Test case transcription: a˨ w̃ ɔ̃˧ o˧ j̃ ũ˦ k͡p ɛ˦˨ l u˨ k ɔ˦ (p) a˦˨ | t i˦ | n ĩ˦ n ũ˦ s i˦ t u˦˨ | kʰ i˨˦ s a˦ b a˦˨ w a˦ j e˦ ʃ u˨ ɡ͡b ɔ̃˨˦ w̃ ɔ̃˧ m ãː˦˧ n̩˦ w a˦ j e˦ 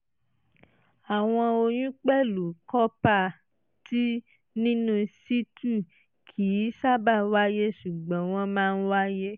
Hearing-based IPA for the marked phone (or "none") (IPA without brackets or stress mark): p